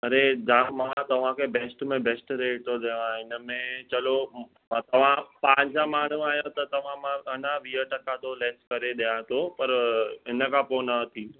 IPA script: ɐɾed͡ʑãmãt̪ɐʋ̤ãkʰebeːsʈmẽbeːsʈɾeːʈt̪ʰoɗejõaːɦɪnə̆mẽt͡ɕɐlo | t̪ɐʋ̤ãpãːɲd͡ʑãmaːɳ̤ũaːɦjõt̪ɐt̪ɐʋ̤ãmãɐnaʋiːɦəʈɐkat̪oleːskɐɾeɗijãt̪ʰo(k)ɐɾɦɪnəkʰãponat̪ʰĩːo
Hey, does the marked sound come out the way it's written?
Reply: no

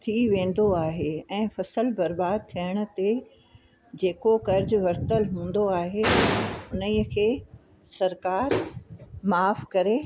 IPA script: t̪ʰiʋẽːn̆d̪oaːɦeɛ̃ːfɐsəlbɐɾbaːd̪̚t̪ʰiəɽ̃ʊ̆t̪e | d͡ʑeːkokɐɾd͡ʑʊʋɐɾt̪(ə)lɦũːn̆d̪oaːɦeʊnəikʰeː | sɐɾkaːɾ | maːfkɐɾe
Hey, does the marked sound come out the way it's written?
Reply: yes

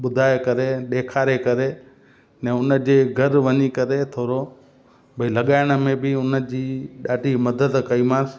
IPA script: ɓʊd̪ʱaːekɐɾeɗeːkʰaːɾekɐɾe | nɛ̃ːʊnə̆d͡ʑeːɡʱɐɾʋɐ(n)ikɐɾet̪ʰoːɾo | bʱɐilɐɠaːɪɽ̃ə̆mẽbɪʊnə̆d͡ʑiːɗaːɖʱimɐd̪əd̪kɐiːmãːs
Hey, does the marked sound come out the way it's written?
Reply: no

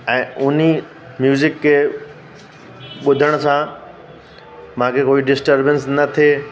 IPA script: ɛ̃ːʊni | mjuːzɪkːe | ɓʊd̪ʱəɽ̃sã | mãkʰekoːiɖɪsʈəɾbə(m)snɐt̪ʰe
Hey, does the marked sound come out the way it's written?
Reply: no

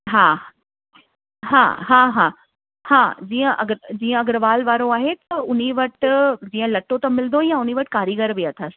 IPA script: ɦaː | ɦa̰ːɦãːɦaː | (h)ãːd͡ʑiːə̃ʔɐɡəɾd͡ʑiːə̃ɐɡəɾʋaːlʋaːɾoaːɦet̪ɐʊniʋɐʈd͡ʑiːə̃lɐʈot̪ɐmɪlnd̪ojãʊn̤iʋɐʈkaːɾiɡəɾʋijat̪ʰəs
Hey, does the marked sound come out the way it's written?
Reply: yes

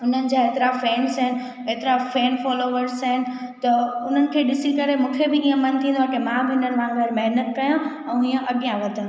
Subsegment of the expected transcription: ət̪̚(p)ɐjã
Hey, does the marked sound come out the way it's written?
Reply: no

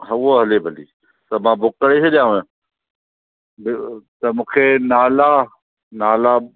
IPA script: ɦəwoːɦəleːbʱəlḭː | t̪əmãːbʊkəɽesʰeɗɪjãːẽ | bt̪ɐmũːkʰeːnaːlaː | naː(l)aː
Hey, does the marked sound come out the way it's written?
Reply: yes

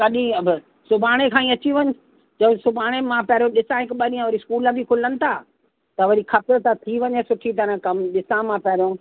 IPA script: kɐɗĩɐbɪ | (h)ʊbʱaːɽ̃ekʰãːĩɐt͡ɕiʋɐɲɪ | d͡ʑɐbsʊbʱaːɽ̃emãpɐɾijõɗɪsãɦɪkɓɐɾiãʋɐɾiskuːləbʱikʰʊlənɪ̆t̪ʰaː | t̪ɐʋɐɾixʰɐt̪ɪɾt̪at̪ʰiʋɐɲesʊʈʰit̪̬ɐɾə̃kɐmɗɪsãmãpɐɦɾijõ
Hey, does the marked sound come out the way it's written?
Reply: no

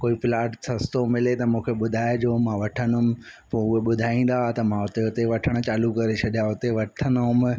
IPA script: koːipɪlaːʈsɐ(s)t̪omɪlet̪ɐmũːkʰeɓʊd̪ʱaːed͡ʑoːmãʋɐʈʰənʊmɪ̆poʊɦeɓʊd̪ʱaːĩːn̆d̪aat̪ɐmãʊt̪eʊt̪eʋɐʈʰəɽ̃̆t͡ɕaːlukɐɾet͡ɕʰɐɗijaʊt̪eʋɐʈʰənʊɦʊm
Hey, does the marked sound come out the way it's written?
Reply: yes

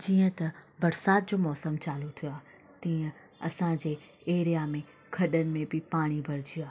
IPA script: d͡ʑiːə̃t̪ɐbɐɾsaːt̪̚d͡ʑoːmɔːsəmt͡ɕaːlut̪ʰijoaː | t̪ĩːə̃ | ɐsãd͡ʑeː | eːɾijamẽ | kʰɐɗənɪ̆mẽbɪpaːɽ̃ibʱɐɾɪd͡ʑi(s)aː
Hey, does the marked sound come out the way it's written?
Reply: no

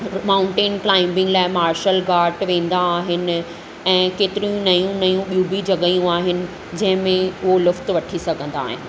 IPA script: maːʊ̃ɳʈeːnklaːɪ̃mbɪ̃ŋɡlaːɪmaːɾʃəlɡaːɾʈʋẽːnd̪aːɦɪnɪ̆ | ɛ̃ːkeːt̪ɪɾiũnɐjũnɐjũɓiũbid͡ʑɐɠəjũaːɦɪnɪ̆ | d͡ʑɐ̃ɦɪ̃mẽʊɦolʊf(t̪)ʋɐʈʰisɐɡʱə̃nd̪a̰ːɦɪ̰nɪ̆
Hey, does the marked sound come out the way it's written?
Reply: yes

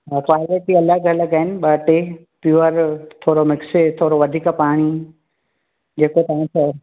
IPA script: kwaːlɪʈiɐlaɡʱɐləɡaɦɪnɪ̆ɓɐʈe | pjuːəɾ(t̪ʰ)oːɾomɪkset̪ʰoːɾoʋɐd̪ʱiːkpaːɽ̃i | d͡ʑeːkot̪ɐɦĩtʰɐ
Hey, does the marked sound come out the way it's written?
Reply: yes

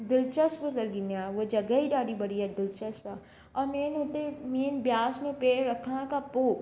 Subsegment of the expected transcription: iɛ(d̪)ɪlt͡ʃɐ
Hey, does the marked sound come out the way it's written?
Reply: yes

